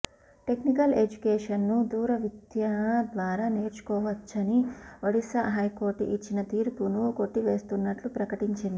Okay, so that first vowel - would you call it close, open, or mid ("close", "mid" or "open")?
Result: mid